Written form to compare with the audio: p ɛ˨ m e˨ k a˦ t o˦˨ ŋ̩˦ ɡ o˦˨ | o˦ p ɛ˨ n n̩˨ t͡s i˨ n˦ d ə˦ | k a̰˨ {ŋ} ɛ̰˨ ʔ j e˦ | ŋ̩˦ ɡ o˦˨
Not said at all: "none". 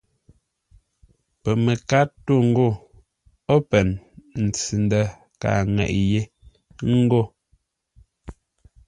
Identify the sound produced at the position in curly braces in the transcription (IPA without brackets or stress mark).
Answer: ŋ